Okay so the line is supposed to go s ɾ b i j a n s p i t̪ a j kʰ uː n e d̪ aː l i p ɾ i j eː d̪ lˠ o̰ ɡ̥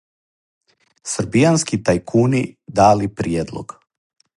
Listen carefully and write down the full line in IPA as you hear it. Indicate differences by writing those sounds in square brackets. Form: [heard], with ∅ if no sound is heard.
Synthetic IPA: s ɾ b i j a n s [k] i t̪ a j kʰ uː n [i] d̪ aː l i p ɾ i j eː d̪ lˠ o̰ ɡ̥